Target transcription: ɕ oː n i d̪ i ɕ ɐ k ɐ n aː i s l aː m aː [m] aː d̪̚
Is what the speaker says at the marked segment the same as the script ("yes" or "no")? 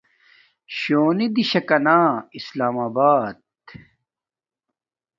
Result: no